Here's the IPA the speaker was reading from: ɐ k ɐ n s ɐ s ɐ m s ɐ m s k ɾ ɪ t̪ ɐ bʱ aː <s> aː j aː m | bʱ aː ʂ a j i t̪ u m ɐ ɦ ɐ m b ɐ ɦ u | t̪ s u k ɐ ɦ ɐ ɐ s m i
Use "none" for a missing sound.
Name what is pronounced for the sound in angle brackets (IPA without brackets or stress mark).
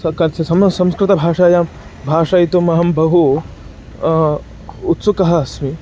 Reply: ʂ